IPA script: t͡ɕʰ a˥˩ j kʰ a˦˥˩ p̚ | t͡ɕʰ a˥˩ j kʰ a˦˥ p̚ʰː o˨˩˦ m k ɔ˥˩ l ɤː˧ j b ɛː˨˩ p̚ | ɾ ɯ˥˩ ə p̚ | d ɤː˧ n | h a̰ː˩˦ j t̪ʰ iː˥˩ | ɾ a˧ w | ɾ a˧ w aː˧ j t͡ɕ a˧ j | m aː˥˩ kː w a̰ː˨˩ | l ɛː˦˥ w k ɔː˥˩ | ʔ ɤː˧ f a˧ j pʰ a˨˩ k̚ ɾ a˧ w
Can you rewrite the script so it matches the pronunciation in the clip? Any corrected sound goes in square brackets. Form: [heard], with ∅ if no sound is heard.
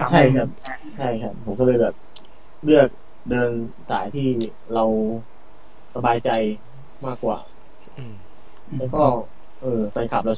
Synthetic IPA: t͡ɕʰ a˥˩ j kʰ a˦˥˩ p̚ | t͡ɕʰ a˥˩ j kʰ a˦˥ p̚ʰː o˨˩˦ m k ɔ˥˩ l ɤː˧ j b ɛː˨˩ p̚ | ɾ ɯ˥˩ ə [k̚] | d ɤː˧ n | [s] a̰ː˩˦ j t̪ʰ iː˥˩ | ɾ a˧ w | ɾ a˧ [b] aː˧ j t͡ɕ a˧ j | m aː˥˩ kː w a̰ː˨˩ | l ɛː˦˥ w k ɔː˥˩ | ʔ ɤː˧ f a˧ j [kʰ] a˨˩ [p̚] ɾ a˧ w